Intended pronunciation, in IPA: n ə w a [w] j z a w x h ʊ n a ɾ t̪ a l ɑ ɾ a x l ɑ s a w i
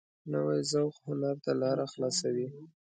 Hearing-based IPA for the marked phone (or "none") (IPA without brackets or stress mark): none